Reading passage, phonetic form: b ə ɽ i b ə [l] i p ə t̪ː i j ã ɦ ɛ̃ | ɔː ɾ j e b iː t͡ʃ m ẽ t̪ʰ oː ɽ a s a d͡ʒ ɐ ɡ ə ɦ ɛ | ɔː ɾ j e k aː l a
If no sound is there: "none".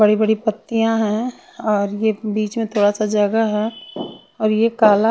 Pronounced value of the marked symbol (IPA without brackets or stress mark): ɽ